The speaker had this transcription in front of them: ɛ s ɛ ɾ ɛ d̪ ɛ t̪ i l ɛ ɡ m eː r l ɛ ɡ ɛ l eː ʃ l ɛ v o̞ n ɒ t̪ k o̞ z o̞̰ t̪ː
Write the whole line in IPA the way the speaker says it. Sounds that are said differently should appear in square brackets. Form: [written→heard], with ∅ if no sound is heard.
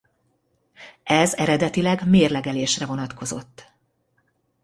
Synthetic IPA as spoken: ɛ [s→z] ɛ ɾ ɛ d̪ ɛ t̪ i l ɛ ɡ m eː r l ɛ ɡ ɛ l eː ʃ [l→r] ɛ v o̞ n ɒ t̪ k o̞ z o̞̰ t̪ː